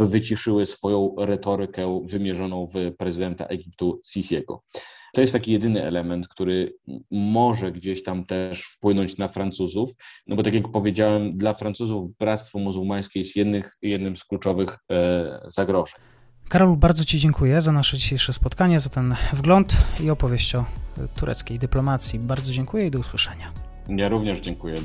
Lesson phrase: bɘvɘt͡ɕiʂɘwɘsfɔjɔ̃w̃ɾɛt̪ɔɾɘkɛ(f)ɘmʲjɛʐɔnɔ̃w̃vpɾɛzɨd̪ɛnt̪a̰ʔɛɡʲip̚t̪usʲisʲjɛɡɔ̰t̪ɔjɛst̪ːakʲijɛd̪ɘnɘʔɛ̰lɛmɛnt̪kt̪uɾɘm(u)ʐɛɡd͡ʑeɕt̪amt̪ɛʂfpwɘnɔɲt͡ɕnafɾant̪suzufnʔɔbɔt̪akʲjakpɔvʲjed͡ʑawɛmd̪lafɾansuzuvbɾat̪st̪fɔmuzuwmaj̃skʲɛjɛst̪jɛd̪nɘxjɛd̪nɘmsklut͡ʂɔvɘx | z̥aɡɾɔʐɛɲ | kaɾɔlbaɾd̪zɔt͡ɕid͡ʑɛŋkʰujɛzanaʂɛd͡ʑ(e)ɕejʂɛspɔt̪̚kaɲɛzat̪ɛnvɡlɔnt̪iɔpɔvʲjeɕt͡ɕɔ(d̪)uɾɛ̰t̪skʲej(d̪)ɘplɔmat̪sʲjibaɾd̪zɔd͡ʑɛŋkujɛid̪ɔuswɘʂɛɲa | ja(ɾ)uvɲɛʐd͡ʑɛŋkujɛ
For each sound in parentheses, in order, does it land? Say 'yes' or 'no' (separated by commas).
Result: no, no, no, no, yes, yes